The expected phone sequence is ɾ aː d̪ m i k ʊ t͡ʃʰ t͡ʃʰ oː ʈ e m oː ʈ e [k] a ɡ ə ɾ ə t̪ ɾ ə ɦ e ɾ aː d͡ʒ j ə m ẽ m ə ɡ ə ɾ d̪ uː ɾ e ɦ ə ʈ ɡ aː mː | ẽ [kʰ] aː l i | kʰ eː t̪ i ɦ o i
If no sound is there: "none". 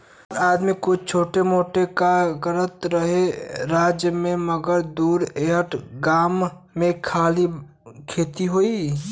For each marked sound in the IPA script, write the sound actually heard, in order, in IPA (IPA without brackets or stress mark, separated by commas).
k, kʰ